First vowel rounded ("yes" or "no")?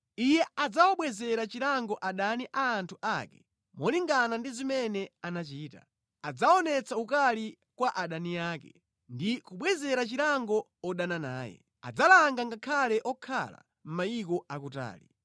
no